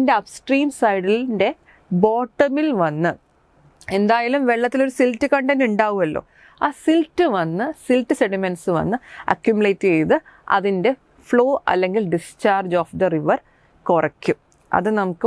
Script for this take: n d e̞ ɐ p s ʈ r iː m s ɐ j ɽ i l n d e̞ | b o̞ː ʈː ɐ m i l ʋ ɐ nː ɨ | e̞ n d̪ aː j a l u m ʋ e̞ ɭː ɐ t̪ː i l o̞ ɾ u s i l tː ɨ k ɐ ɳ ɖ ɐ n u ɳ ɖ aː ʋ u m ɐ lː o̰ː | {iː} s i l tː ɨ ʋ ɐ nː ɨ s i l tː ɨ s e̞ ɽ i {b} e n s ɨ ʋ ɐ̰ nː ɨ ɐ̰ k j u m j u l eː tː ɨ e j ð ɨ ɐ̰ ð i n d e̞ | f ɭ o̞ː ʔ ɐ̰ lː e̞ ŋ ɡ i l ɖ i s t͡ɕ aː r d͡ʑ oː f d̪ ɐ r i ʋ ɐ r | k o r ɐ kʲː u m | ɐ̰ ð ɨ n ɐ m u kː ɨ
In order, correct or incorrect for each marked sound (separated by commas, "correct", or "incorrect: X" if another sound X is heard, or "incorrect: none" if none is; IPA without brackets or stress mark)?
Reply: incorrect: aː, incorrect: m